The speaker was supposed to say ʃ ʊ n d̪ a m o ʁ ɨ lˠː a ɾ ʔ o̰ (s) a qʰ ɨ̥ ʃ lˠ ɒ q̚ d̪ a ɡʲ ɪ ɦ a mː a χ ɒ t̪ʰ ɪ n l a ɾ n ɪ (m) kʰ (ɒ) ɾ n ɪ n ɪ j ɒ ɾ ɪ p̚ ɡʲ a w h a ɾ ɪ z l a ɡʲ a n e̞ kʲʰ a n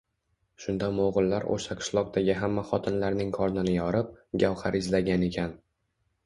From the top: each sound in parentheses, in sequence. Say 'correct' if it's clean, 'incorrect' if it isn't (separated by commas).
incorrect, incorrect, correct